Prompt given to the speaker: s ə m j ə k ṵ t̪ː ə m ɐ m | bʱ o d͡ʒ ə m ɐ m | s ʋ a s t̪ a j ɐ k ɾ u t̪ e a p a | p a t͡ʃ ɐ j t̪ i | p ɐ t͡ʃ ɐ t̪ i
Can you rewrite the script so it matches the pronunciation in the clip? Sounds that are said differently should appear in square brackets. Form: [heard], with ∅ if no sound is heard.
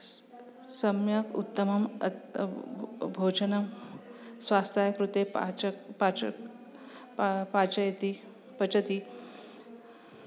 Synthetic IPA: s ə m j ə k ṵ t̪ː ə m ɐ m | bʱ o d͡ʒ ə [n] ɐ m | s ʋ a s t̪ a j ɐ k ɾ u t̪ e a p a | p a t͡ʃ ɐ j t̪ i | p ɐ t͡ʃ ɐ t̪ i